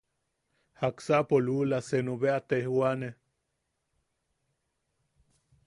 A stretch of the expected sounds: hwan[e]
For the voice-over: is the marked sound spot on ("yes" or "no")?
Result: yes